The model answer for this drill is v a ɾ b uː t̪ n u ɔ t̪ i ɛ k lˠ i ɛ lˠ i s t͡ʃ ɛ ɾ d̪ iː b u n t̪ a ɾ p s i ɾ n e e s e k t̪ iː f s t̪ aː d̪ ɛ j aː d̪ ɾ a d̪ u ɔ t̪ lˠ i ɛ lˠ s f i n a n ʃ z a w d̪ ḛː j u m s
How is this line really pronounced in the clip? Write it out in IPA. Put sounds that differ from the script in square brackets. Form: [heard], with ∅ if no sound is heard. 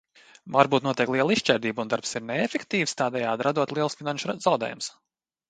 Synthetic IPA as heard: v a ɾ b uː t̪ n u ɔ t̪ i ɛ k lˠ i ɛ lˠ i [ʃ] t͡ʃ ɛ ɾ d̪ iː b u n [d̪] a ɾ p s i ɾ n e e [f] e k t̪ iː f s t̪ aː d̪ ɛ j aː d̪ ɾ a d̪ u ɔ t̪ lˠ i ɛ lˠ s f i n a n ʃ z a w d̪ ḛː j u m s